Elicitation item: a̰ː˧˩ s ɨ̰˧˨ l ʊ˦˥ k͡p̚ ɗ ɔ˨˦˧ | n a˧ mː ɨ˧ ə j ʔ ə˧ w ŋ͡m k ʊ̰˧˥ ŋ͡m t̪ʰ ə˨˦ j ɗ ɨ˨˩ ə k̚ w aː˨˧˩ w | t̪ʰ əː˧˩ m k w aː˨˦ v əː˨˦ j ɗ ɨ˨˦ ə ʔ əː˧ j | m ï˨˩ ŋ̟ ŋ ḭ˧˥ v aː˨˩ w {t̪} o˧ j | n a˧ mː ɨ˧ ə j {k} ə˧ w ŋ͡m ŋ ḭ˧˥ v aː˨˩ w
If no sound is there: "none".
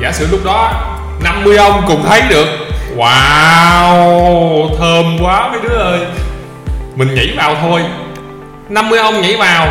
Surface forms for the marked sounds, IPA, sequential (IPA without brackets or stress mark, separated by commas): t̪ʰ, ʔ